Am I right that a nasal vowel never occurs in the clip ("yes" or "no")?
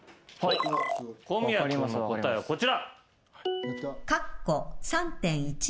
no